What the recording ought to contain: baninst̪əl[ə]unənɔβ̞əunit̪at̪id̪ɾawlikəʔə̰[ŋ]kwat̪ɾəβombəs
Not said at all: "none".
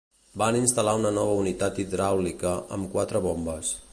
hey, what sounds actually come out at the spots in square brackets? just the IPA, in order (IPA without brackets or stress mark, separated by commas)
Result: a, m